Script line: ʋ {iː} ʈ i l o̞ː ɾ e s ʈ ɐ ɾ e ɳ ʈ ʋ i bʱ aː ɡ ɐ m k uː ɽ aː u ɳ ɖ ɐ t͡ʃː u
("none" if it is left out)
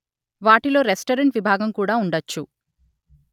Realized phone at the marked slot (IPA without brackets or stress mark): aː